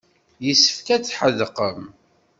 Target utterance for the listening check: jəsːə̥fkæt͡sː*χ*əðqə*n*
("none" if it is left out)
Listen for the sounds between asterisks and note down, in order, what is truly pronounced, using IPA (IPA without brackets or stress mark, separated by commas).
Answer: ħ, m